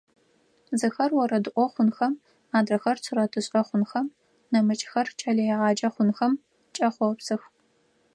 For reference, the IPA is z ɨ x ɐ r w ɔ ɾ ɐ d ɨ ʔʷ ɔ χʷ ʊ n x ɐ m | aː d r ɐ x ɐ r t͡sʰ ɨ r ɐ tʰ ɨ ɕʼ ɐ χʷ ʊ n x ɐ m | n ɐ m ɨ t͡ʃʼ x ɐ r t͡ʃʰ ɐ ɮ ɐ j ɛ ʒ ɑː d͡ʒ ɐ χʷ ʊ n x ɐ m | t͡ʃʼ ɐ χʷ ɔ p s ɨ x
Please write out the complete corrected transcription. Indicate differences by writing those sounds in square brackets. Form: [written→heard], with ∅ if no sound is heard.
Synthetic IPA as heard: z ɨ x ɐ r w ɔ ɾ ɐ d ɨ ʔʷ ɔ χʷ ʊ n x ɐ m | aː d r ɐ x ɐ r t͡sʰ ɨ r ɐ tʰ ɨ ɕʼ ɐ χʷ ʊ n x ɐ m | n ɐ m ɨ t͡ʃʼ x ɐ r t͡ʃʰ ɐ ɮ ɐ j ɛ [ʒ→ʁ] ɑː d͡ʒ ɐ χʷ ʊ n x ɐ m | t͡ʃʼ ɐ χʷ ɔ p s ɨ x